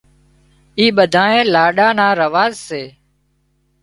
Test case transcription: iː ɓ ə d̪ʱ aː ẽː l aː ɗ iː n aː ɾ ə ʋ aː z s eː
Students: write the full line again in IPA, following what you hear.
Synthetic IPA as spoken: iː ɓ ə d̪ʱ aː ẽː l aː ɗ aː n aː ɾ ə ʋ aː z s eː